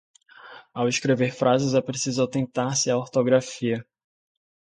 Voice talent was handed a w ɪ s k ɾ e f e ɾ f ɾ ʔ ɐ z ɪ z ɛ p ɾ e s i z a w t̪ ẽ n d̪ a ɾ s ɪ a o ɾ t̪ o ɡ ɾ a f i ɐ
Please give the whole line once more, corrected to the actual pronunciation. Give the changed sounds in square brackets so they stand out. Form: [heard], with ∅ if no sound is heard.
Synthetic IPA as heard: a w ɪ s k ɾ e [v] e ɾ f ɾ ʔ [a] z ɪ z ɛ p ɾ e s i z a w t̪ ẽ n [t̪] a ɾ s ɪ a o ɾ t̪ o ɡ ɾ a f i ɐ